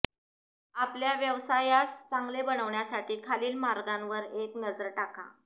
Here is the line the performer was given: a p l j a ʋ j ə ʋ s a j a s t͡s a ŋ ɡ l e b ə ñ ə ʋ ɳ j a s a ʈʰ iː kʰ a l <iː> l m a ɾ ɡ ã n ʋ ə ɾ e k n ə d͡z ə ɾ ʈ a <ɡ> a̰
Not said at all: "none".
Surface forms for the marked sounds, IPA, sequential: iː, k

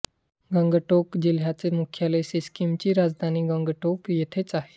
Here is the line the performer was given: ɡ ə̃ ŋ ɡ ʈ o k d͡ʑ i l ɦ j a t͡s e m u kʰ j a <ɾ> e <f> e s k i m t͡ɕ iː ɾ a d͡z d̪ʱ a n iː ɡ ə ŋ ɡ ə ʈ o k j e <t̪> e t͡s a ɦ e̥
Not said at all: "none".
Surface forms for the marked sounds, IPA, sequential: l, s, t̪ʰ

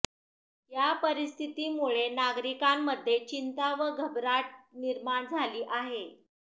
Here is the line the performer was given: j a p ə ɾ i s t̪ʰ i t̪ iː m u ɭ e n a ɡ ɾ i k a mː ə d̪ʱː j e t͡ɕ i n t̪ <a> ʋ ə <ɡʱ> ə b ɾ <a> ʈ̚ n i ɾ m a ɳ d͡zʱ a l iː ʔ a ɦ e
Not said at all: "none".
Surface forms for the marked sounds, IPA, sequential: a, ɡʱ, a

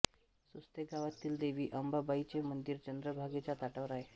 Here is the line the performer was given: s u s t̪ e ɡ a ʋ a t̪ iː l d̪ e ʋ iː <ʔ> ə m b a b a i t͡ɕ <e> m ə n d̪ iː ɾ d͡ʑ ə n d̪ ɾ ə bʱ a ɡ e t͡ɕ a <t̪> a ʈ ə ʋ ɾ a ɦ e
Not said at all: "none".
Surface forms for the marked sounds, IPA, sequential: ʔ, e, t̪

